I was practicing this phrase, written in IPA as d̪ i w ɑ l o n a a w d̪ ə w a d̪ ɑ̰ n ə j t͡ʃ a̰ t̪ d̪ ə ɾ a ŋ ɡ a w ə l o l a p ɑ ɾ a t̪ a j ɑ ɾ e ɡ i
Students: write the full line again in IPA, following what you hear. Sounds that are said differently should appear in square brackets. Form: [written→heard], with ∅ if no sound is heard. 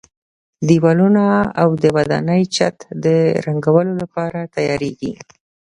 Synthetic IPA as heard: d̪ i w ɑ l [o→u] n a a w d̪ ə w a d̪ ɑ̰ n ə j t͡ʃ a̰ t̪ d̪ ə ɾ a ŋ ɡ a w ə l o l a p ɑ ɾ a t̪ a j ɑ ɾ e ɡ i